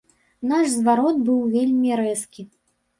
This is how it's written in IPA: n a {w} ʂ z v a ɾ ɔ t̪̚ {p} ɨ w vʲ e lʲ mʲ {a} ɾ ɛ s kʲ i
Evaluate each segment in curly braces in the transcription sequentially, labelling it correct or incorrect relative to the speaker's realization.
incorrect, incorrect, incorrect

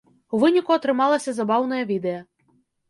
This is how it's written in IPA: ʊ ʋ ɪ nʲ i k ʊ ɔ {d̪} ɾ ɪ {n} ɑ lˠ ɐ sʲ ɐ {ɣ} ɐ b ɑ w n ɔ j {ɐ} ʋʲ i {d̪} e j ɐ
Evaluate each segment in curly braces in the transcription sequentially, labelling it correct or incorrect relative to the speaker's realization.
incorrect, incorrect, incorrect, correct, correct

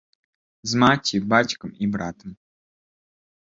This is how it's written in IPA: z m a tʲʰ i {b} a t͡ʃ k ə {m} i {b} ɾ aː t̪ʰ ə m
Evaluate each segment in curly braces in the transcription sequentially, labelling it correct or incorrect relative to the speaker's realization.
correct, correct, correct

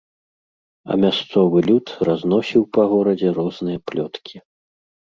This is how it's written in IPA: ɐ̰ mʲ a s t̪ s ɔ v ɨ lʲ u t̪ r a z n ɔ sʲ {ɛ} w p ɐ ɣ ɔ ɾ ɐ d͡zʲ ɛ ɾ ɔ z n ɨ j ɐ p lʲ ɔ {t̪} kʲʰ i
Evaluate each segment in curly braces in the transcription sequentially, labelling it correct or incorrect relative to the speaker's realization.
incorrect, correct

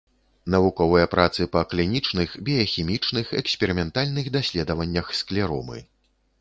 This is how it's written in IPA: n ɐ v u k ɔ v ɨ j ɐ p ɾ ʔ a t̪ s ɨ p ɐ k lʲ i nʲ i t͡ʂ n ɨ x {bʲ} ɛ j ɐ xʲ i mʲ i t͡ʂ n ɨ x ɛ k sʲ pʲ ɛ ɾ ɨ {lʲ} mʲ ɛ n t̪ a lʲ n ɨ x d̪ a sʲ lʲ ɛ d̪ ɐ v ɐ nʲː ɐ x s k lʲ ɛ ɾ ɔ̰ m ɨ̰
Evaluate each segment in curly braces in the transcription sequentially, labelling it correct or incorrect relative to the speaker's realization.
correct, incorrect

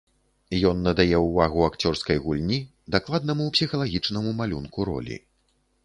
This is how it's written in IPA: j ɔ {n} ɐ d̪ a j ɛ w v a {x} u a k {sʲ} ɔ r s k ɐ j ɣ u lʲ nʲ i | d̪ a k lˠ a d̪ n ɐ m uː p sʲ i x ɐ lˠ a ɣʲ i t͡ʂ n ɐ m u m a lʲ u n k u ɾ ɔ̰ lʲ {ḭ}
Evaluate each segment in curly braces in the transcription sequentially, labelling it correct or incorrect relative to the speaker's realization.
incorrect, incorrect, incorrect, correct

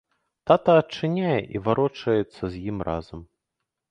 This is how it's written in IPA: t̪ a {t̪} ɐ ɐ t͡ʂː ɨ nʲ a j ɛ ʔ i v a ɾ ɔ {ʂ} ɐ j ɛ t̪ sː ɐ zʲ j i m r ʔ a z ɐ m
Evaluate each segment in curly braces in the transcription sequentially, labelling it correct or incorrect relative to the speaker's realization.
correct, incorrect

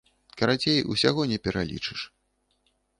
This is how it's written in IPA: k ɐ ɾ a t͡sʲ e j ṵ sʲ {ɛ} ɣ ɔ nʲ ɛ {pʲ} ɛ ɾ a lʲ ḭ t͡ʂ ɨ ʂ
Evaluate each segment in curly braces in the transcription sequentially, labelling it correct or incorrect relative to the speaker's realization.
incorrect, correct

